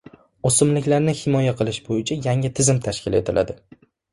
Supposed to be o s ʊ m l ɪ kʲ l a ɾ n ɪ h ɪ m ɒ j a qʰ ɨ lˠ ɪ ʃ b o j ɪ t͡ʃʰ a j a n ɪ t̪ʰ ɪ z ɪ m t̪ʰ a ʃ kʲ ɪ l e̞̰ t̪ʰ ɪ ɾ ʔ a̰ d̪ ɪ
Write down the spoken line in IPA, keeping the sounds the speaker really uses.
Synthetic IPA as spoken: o s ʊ m l ɪ kʲ l a ɾ n ɪ h ɪ m ɒ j a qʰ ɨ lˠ ɪ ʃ b o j ɪ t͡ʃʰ a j a ŋ ɪ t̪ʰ ɪ z ɪ m t̪ʰ a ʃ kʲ ɪ l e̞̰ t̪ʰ ɪ l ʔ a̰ d̪ ɪ